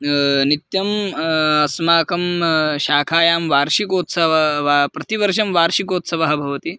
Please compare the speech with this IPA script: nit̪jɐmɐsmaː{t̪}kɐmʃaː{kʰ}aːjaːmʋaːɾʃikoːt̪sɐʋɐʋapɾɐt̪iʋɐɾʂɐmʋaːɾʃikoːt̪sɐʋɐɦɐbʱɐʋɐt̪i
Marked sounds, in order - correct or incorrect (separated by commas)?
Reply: incorrect, correct